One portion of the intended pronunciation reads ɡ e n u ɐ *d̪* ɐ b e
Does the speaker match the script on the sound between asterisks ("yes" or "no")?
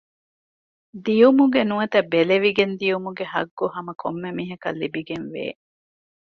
no